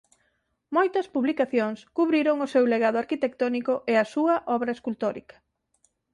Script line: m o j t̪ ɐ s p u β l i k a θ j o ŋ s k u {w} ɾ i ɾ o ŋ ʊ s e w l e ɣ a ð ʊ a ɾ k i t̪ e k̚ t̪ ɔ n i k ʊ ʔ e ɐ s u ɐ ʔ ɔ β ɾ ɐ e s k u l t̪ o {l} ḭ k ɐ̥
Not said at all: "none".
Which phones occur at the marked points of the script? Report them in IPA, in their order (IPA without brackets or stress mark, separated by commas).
β, ɾ